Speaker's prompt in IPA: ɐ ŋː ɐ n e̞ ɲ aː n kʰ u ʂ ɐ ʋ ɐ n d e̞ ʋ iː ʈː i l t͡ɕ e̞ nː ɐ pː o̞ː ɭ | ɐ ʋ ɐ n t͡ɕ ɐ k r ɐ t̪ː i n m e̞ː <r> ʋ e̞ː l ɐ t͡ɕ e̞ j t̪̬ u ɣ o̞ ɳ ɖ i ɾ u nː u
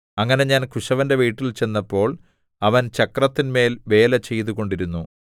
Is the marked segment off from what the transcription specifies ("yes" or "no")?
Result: yes